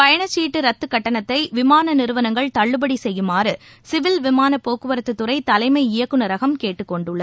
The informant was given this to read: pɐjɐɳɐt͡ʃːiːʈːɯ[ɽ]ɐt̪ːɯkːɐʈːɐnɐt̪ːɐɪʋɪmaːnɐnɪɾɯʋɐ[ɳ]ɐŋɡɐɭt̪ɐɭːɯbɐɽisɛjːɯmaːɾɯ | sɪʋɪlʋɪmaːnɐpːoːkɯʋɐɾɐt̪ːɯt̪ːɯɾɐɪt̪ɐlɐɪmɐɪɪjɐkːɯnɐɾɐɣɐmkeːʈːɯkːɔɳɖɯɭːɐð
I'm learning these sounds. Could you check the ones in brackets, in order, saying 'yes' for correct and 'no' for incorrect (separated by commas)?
no, no